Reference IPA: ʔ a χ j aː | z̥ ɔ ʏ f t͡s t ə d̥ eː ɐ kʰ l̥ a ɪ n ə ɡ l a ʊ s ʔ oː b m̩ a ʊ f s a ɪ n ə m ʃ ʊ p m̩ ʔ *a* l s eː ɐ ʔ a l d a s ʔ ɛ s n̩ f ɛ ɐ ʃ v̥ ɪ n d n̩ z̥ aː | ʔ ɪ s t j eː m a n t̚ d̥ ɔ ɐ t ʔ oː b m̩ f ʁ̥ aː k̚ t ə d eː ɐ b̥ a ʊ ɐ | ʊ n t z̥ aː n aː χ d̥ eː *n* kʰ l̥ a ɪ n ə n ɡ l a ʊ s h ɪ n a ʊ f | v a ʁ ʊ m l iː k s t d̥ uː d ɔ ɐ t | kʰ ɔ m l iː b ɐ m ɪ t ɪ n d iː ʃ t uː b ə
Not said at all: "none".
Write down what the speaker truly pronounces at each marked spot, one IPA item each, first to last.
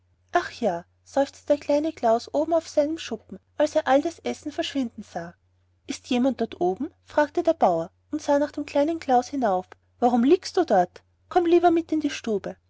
a, m

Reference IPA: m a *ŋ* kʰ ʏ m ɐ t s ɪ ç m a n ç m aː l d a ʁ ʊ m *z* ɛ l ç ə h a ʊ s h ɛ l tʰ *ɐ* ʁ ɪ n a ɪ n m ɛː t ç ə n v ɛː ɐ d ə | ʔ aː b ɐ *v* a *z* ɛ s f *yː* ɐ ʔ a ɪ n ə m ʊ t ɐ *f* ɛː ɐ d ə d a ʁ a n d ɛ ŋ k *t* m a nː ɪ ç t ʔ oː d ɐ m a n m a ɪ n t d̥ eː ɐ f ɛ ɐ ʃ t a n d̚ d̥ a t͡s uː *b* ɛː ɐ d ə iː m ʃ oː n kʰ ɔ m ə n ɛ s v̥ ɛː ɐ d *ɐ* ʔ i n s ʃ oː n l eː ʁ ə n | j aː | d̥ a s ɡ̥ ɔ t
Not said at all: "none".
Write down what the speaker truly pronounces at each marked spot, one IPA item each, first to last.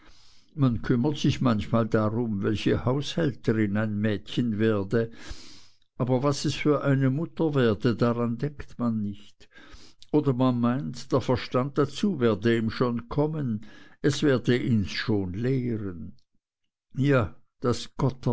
n, v, ə, v, s, yː, v, t, v, ə

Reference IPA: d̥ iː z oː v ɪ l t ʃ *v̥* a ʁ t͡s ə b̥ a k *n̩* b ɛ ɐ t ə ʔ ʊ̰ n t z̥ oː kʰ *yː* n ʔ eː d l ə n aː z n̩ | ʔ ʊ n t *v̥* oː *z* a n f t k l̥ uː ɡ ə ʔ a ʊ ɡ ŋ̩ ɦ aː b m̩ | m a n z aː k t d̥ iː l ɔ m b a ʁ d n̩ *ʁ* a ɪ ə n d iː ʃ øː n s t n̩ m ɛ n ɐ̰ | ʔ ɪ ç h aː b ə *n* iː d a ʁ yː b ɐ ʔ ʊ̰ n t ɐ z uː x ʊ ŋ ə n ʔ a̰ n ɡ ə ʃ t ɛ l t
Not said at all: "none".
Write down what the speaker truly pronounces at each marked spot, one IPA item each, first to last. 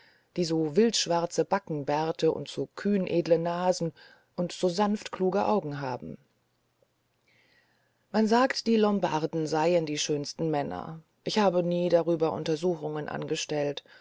v̥, ŋ̩, yː, z̥, z, z, n

